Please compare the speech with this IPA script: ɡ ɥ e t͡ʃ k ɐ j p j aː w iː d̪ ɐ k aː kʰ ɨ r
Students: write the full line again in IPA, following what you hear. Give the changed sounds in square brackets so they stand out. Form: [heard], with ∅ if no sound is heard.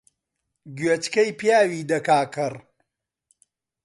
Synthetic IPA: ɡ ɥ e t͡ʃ k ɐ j p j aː w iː d̪ ɐ k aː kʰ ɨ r